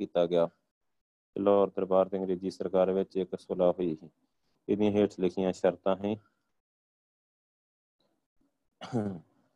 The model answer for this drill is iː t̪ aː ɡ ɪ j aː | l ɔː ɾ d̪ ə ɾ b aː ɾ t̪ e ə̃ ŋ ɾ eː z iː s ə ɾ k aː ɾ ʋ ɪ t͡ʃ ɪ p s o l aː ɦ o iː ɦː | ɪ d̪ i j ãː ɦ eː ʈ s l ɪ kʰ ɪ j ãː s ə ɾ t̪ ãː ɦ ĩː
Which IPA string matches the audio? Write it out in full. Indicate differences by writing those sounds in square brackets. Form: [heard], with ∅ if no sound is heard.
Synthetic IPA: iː t̪ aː ɡ ɪ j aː | l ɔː ɾ d̪ ə ɾ b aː ɾ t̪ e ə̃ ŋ ɾ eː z iː s ə ɾ k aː ɾ ʋ ɪ t͡ʃ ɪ [k] s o l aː ɦ o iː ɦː | ɪ d̪ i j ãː ɦ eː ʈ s l ɪ kʰ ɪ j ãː [ʃ] ə ɾ t̪ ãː ɦ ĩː